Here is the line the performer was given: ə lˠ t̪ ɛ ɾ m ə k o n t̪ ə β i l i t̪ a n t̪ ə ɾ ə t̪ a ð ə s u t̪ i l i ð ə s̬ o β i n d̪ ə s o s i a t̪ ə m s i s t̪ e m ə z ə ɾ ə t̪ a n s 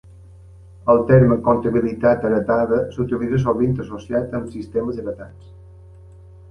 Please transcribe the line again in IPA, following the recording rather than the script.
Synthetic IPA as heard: ə lˠ t̪ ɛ ɾ m ə k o n t̪ ə β i l i t̪ a t̪ ə ɾ ə t̪ a ð ə s u t̪ i l i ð ə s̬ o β i n t̪ ə s o s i a t̪ ə m s i s t̪ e m ə z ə ɾ ə t̪ a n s